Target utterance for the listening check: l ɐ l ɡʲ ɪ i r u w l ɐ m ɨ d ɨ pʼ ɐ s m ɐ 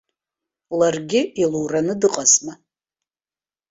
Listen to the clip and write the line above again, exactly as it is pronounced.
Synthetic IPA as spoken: l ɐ r ɡʲ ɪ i l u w r ɐ n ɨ d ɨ qʼ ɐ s m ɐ